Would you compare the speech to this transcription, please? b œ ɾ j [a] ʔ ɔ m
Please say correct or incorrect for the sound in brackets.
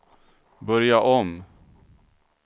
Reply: correct